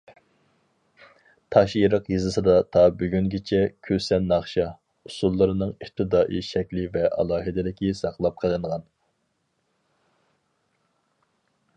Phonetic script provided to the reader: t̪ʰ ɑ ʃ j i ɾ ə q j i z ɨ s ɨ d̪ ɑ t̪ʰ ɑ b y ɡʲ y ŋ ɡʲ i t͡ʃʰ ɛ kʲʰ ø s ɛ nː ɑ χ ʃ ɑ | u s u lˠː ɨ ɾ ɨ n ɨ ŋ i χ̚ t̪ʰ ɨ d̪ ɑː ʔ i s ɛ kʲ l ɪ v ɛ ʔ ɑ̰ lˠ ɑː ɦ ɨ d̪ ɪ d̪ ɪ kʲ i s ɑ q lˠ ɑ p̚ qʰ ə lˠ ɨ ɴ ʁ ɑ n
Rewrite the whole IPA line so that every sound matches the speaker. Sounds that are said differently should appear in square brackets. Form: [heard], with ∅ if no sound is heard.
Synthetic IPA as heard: t̪ʰ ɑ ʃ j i ɾ ə q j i z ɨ s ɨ d̪ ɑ t̪ʰ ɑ b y ɡʲ y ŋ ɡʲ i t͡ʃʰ ɛ kʲʰ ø s ɛ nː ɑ χ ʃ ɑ | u s u lˠː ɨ ɾ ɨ n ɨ ŋ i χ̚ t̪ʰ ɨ d̪ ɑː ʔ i [ʃ] ɛ kʲ l ɪ v ɛ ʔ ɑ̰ lˠ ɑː ɦ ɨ d̪ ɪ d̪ ɪ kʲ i s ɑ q lˠ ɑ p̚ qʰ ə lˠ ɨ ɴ ʁ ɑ n